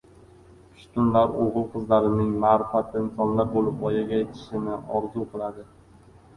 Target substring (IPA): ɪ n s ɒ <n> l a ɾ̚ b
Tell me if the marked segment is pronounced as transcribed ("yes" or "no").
yes